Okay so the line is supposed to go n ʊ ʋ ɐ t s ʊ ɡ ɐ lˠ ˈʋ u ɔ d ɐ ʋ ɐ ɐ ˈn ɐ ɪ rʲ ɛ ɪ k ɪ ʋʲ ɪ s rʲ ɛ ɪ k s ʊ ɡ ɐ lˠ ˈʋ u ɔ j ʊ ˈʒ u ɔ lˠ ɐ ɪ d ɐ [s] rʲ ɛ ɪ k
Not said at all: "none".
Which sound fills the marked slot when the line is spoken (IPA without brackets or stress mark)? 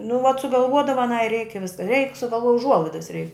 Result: s